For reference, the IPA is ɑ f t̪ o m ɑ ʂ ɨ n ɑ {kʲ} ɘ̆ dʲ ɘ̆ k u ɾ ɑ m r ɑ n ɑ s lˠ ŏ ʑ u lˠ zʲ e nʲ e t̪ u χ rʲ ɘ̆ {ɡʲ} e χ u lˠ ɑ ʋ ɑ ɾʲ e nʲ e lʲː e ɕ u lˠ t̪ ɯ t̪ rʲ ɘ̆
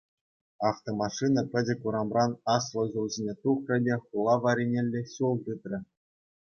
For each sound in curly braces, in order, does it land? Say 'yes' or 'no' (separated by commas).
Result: no, no